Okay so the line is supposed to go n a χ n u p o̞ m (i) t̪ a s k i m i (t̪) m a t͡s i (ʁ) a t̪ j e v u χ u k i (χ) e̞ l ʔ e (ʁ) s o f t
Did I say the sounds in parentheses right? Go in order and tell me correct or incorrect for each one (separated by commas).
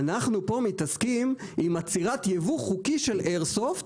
correct, incorrect, correct, incorrect, correct